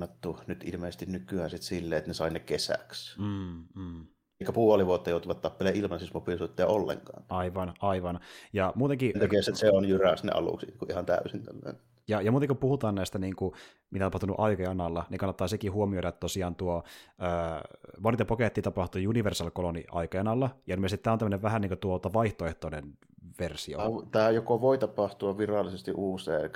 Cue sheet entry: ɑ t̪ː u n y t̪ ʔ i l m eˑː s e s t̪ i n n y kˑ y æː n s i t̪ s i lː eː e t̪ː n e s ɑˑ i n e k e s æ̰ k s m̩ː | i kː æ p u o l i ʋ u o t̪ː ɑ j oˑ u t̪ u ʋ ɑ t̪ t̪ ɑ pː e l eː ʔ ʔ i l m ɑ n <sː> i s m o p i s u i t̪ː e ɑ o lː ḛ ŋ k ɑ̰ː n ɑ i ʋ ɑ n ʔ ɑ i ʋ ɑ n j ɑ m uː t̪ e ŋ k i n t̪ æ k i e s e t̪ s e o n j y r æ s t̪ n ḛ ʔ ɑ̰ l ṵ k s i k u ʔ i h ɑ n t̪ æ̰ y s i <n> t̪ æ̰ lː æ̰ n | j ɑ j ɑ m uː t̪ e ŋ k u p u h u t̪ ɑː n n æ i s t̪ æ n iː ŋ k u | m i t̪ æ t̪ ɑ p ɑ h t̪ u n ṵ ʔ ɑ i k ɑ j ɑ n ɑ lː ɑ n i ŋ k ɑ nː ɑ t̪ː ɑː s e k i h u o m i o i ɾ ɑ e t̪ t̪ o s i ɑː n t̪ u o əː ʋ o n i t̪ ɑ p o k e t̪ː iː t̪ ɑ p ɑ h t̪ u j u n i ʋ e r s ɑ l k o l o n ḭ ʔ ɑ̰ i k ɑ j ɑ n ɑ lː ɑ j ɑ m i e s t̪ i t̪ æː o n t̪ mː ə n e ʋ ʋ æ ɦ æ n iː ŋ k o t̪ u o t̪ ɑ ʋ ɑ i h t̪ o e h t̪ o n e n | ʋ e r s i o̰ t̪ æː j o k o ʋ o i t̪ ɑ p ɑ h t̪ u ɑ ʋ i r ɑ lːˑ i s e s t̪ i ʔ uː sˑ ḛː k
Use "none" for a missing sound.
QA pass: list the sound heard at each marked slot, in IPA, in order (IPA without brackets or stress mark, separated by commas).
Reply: s, n